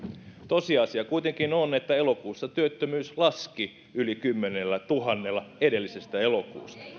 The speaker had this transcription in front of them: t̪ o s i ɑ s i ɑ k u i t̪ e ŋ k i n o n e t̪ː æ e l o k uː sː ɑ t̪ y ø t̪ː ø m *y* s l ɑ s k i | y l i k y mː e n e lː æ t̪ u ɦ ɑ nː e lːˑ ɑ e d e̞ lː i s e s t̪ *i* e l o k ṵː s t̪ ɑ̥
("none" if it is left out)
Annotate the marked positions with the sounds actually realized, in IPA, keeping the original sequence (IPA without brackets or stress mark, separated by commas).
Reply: yː, æ